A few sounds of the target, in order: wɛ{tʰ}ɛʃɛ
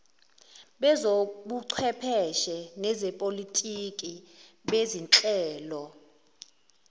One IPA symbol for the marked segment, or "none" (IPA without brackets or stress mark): pʰ